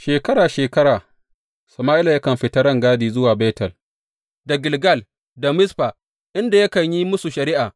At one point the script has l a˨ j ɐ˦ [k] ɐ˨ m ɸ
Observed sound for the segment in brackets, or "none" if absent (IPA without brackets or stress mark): k